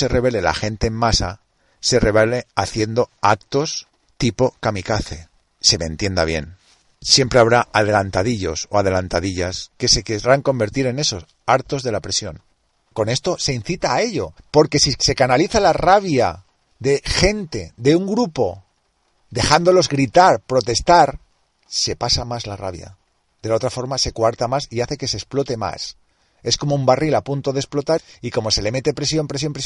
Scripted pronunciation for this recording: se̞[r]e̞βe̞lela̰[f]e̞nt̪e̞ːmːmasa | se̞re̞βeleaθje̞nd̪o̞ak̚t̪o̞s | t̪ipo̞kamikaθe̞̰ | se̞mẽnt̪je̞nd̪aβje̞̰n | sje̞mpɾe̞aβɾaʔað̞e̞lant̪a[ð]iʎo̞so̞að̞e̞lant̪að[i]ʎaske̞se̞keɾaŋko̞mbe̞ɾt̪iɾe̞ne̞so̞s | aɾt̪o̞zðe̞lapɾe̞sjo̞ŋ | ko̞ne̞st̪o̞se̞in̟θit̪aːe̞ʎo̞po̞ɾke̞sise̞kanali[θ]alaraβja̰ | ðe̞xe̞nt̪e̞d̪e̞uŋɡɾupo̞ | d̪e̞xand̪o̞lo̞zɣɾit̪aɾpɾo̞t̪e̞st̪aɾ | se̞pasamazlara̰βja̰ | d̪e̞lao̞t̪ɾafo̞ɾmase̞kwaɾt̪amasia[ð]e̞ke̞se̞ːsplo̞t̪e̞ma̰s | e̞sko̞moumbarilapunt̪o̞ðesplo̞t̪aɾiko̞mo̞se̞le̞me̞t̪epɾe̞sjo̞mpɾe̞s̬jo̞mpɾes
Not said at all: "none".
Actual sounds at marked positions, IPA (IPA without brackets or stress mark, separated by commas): r, x, ð, i, θ, θ